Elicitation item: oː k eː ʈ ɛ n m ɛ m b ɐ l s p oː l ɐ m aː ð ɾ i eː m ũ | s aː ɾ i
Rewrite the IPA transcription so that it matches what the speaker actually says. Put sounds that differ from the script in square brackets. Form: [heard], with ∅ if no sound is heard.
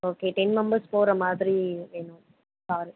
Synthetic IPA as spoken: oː k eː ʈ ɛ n m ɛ m b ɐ [ɾ] s p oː [ɾ] ɐ m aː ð ɾ i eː [n] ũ | s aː ɾ i